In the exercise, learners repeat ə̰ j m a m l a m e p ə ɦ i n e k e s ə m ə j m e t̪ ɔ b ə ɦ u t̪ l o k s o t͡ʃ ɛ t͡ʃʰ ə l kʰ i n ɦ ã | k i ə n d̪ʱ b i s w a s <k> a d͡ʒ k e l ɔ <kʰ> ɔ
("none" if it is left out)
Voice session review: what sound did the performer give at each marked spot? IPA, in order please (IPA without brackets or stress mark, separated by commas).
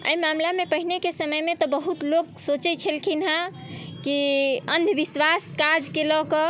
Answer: k, k